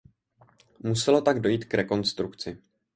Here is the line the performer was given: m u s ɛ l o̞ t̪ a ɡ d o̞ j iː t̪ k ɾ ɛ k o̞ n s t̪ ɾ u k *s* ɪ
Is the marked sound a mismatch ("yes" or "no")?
yes